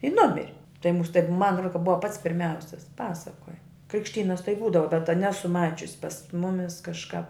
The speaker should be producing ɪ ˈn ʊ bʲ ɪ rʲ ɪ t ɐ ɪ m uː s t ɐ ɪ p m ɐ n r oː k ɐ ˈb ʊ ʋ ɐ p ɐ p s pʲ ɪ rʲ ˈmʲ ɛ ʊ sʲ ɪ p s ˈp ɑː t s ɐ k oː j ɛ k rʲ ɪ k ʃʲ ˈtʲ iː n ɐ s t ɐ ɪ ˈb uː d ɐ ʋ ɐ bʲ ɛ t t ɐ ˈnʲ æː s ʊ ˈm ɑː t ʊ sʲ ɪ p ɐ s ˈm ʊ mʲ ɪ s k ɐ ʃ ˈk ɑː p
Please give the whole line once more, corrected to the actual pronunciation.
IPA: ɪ ˈn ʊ mʲ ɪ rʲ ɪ t ɐ ɪ m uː s t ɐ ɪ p m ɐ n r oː k ɐ ˈb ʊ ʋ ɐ p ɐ t s pʲ ɪ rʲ ˈmʲ ɛ ʊ sʲ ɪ s ˈp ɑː s ɐ k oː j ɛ k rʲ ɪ k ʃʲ ˈtʲ iː n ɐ s t ɐ ɪ ˈb uː d ɐ ʋ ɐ bʲ ɛ t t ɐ ˈnʲ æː s ʊ ˈm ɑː t͡ʃʲ ʊ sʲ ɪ p ɐ s ˈm ʊ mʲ ɪ s k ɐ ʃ ˈk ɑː p